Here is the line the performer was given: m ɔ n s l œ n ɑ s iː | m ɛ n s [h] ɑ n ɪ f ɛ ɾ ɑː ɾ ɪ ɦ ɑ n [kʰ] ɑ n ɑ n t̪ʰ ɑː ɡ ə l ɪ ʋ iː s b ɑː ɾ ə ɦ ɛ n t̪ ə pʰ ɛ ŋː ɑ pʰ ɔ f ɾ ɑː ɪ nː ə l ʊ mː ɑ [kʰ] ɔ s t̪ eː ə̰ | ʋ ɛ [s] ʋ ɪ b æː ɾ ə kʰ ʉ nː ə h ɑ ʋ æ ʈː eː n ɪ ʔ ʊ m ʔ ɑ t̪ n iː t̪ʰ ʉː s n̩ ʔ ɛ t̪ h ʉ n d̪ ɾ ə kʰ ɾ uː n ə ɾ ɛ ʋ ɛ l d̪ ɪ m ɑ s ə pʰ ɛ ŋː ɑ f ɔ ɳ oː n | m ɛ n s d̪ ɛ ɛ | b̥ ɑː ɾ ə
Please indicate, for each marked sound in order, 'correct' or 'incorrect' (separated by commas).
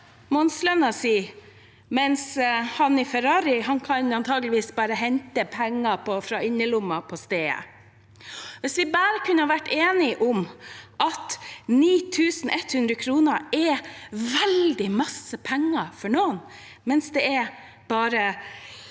correct, correct, incorrect, correct